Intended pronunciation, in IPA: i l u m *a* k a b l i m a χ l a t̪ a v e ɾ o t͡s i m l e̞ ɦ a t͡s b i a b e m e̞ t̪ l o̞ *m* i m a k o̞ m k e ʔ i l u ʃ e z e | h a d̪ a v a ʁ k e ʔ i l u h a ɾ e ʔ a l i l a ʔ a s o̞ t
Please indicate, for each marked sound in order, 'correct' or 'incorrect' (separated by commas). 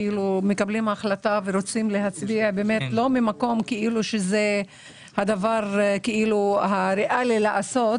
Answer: incorrect, correct